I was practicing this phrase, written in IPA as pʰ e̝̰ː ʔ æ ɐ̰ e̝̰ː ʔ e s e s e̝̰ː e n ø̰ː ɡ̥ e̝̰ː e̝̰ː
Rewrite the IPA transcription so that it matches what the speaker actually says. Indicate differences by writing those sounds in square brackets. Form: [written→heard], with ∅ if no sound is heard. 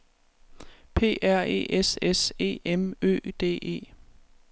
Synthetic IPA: pʰ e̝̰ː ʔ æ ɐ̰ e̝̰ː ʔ e s e s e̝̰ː e [n→m] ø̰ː [ɡ̥→d̥] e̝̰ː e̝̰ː